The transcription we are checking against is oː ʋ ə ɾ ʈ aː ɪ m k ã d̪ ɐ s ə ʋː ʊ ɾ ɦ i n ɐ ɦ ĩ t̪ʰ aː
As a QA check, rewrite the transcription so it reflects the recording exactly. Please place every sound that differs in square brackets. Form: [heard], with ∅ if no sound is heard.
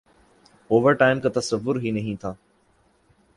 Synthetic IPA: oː ʋ ə ɾ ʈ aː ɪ m k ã [t̪] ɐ s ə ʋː ʊ ɾ ɦ i n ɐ ɦ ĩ t̪ʰ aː